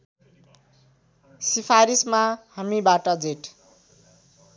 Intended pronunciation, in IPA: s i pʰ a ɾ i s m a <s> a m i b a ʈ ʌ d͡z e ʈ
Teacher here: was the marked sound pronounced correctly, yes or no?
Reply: no